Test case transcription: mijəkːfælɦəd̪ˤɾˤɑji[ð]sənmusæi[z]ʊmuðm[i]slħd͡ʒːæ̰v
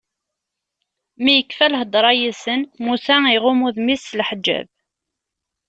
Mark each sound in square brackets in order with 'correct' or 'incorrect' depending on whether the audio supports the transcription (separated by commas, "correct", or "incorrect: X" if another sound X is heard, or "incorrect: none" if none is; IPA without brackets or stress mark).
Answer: incorrect: none, incorrect: ʁ, correct